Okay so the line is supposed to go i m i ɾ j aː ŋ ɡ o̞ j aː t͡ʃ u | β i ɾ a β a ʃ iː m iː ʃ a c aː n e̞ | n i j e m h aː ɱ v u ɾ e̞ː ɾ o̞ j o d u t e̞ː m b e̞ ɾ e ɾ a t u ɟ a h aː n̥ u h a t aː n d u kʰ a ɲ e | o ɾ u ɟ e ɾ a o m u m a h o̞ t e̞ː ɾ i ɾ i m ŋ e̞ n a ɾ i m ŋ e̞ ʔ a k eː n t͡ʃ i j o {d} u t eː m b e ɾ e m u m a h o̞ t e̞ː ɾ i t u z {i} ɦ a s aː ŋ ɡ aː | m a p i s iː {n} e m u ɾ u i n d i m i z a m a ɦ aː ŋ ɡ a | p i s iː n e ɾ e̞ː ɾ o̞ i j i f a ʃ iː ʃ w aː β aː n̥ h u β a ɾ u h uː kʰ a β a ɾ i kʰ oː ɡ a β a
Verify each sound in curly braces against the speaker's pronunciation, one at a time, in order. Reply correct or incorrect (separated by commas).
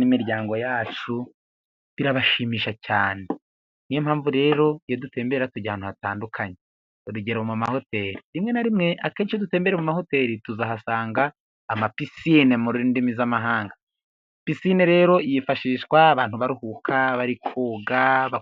correct, incorrect, correct